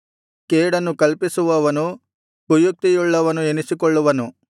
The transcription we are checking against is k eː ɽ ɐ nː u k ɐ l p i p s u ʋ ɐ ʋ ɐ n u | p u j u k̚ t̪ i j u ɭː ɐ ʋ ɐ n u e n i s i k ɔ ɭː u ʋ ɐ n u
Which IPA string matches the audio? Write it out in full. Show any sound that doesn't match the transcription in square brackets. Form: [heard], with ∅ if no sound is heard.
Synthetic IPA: k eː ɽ ɐ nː u k ɐ l p i [∅] s u ʋ ɐ ʋ ɐ n u | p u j u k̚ t̪ i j u ɭː ɐ ʋ ɐ n u e n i s i k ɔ ɭː u ʋ ɐ n u